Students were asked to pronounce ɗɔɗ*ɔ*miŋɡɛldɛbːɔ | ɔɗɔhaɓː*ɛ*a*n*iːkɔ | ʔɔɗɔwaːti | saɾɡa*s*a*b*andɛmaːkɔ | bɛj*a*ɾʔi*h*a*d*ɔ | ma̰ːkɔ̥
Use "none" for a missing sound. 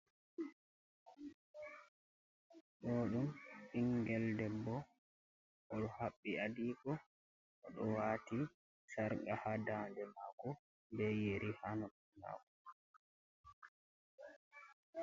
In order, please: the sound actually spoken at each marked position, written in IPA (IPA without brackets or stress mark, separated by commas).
u, i, d, h, d, e, h, n